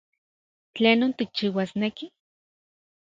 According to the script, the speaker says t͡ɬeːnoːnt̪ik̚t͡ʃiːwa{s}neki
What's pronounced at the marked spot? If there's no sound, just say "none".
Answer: s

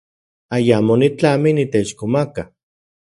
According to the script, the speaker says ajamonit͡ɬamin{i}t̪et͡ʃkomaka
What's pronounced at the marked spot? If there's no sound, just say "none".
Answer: i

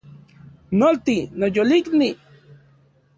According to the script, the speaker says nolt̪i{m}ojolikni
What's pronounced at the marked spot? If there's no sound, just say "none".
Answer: n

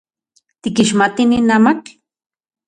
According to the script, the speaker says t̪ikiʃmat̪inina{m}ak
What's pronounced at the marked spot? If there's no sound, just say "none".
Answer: m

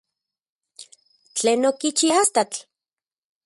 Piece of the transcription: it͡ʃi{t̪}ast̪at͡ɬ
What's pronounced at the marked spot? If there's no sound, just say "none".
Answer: none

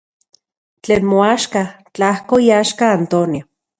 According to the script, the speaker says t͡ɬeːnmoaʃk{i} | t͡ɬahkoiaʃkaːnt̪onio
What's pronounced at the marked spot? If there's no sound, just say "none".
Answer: a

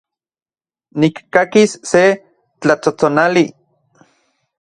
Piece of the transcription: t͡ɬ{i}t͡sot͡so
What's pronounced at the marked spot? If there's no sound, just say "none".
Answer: a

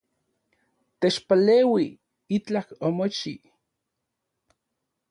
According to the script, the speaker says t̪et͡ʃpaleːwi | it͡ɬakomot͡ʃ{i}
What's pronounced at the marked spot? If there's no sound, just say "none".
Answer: i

